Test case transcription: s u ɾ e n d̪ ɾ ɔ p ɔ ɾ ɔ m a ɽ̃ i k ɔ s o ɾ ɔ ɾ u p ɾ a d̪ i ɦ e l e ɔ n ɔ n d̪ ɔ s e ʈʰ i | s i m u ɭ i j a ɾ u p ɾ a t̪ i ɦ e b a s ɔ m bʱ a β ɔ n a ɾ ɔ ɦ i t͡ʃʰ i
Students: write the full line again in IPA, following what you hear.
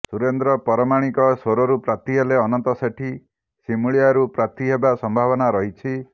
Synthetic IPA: s u ɾ e n d̪ ɾ ɔ p ɔ ɾ ɔ m a ɽ̃ i k ɔ s o ɾ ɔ ɾ u p ɾ a t̪ i ɦ e l e ɔ n ɔ n t̪ ɔ s e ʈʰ i | s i m u ɭ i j a ɾ u p ɾ a t̪ i ɦ e b a s ɔ m bʱ a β ɔ n a ɾ ɔ ɦ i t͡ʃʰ i